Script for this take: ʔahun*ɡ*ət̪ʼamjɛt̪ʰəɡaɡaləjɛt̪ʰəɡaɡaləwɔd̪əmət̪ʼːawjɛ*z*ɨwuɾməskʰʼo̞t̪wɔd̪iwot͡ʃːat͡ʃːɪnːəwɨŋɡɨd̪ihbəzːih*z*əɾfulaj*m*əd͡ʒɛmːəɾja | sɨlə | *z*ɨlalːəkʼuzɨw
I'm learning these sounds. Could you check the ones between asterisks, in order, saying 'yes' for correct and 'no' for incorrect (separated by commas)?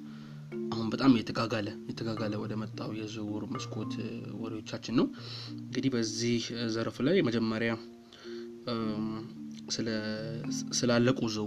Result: no, yes, yes, yes, no